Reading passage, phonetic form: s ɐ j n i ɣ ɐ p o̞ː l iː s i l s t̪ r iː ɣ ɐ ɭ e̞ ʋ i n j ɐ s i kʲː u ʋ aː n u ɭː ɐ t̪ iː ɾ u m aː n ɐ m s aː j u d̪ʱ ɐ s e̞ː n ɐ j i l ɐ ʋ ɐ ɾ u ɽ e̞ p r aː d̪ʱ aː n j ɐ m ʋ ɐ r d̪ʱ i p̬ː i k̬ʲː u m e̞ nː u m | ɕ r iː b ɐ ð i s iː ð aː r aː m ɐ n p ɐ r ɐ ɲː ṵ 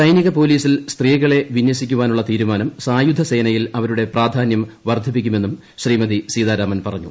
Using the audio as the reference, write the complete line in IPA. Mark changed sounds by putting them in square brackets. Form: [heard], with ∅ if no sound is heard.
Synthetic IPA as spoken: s ɐ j n i ɣ ɐ p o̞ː l iː s i l s t̪ r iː ɣ ɐ ɭ e̞ ʋ i n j ɐ s i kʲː u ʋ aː n u ɭː ɐ t̪ iː ɾ u m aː n ɐ m s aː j u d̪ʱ ɐ s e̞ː n ɐ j i l ɐ ʋ ɐ ɾ u ɽ e̞ p r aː d̪ʱ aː n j ɐ m ʋ ɐ r d̪ʱ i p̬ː i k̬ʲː u m e̞ nː u m | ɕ r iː [m] ɐ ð i s iː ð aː [ɾ] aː m ɐ n p ɐ r ɐ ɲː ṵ